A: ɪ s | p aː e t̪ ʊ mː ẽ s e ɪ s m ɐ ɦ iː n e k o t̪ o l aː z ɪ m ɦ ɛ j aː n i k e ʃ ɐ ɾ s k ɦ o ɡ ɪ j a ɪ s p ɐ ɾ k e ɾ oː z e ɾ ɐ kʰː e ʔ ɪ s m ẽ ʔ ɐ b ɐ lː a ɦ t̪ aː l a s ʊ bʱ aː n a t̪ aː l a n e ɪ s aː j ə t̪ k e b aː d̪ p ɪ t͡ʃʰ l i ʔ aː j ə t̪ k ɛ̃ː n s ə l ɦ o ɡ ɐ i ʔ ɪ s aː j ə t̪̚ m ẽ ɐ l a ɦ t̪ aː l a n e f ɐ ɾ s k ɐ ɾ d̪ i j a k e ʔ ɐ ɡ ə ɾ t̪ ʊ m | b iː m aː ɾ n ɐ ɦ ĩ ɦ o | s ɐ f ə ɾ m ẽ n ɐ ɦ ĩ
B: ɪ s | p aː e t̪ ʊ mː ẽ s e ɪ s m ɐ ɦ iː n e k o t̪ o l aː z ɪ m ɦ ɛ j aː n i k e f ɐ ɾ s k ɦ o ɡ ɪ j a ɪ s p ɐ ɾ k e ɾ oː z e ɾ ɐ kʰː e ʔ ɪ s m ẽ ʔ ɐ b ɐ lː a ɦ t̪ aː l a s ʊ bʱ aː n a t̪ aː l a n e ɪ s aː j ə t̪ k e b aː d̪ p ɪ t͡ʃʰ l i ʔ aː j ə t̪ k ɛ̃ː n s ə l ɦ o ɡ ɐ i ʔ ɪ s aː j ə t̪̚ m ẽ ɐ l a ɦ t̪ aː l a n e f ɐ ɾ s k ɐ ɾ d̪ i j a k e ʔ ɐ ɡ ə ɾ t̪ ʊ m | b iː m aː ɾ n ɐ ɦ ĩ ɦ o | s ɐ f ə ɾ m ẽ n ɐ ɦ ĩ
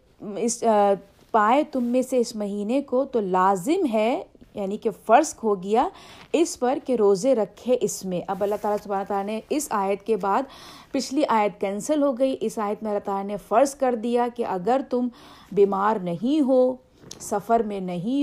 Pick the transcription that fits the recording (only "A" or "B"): B